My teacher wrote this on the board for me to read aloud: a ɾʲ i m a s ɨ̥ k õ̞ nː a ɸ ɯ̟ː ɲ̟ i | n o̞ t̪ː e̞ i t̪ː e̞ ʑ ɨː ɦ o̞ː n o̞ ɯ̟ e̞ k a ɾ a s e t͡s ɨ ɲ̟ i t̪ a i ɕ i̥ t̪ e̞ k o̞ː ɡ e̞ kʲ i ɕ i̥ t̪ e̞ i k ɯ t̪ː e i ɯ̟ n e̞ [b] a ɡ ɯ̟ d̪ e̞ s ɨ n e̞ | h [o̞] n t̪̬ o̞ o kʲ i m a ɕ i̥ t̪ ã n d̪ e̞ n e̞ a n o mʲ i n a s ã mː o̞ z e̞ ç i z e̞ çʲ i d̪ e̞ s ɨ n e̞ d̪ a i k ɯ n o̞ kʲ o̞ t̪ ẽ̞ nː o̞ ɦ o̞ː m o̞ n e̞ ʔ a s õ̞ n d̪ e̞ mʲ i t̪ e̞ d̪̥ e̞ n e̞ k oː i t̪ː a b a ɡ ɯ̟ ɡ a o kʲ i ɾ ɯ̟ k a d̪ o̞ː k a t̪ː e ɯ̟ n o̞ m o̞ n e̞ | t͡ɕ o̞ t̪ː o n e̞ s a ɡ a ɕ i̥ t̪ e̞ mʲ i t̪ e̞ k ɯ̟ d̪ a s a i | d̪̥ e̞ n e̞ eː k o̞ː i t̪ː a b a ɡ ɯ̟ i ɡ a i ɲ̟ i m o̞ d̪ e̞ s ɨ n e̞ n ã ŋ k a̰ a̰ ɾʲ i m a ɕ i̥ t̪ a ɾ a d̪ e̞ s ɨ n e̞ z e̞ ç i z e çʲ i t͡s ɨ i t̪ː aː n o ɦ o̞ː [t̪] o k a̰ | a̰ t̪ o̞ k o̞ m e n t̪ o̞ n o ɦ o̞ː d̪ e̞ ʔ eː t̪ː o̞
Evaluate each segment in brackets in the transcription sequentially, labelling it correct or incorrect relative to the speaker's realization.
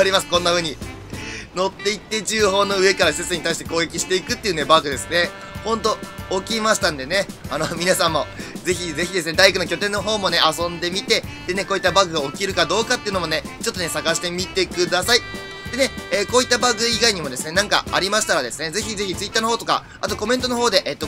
correct, incorrect: õ̞, correct

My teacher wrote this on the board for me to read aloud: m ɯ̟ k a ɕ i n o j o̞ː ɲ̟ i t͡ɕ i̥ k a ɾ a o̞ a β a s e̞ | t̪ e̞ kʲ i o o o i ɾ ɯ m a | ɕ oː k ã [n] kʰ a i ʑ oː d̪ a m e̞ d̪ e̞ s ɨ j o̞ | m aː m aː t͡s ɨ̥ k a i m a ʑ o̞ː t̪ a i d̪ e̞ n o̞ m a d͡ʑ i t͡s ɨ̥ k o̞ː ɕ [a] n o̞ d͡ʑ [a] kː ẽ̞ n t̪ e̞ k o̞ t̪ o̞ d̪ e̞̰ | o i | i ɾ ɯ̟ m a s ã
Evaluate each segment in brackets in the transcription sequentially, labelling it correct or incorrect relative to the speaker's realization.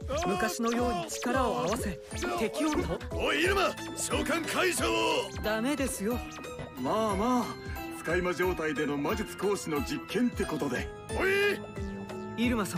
incorrect: ŋ, incorrect: i, incorrect: i

